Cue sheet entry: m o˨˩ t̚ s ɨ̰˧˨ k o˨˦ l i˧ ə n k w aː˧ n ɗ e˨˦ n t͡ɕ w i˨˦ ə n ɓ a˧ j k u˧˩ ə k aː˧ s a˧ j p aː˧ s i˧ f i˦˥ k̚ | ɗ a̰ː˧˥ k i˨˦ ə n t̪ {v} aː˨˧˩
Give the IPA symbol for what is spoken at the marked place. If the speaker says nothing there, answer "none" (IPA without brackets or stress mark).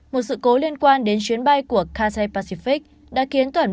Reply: w